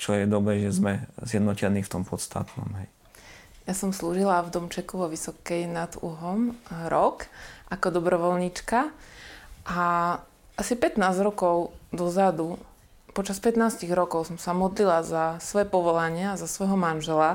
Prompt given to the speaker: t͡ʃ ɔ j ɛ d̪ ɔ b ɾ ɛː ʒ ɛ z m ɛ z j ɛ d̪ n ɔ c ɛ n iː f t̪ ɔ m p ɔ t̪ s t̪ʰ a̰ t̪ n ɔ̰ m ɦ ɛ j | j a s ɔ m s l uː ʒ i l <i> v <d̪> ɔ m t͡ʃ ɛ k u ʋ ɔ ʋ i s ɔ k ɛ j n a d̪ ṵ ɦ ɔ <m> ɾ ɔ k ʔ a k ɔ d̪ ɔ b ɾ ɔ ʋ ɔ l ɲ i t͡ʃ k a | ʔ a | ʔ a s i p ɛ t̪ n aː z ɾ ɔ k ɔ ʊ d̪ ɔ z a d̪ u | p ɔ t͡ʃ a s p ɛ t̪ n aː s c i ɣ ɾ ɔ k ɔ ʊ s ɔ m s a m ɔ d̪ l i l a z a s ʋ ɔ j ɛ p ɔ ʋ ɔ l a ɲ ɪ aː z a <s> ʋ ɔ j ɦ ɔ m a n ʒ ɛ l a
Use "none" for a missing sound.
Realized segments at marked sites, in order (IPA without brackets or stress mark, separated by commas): a, d̪, m, s